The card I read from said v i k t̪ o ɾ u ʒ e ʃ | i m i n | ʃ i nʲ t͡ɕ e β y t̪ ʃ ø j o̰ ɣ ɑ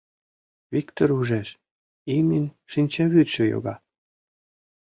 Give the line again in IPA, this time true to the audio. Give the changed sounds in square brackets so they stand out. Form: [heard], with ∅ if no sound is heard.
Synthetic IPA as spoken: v i k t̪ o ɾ u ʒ e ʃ | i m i n | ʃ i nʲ t͡ɕ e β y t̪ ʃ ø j o̰ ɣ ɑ